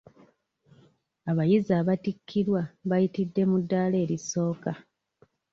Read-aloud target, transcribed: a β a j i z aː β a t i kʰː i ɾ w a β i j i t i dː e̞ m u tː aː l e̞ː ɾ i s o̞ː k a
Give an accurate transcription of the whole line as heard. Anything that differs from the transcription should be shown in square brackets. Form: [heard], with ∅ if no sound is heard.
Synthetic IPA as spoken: a β a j i z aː β a t i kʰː i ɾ w a β [a] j i t i dː e̞ m u [dː] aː l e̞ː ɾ i s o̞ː k a